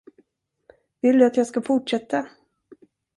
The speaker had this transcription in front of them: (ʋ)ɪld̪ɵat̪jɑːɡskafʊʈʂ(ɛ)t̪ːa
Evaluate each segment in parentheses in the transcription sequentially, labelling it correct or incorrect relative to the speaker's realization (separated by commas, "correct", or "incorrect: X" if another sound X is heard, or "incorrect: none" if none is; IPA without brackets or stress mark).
incorrect: v, correct